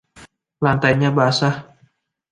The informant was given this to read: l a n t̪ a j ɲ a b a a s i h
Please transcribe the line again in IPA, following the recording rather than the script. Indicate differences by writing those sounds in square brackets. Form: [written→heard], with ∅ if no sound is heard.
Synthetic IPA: l a n t̪ a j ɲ a b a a s [i→a] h